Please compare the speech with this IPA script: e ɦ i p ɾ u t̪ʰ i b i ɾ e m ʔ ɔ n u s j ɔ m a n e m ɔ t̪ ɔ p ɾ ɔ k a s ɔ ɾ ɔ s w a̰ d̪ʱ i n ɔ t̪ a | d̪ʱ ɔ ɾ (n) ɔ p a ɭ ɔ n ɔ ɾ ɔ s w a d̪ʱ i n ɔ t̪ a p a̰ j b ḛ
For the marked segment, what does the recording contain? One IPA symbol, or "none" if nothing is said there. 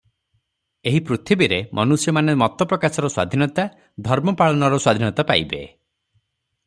m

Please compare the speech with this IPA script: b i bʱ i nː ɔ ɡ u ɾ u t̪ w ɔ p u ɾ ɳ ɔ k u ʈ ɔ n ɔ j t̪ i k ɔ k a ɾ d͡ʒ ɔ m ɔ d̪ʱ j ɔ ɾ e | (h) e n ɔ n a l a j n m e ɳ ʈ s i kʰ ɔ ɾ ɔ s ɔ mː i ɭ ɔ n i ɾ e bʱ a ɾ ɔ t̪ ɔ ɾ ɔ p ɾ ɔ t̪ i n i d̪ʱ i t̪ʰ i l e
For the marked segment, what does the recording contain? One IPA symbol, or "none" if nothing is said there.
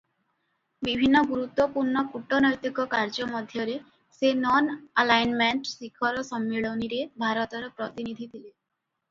s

